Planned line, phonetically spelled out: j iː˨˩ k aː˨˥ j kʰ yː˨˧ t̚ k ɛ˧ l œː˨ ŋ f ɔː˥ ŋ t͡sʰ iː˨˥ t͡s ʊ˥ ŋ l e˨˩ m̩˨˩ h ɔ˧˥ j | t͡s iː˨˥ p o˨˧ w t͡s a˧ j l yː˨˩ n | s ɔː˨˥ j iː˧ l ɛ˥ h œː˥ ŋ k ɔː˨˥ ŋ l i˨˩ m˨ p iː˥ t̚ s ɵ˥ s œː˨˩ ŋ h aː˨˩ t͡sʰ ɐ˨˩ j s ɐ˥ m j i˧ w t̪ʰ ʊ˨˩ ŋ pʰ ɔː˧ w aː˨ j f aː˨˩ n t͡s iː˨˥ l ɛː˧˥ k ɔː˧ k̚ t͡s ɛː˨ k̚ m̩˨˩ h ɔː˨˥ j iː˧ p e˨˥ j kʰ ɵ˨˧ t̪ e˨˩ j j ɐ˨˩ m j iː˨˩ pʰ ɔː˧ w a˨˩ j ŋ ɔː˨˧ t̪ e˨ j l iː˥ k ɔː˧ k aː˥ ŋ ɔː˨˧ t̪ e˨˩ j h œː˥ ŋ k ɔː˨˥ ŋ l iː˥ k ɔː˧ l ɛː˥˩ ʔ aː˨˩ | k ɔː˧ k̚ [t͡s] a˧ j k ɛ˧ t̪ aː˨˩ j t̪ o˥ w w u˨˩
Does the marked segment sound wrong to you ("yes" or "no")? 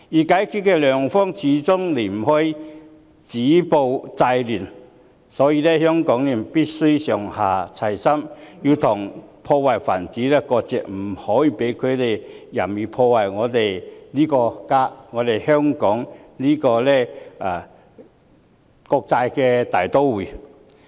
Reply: no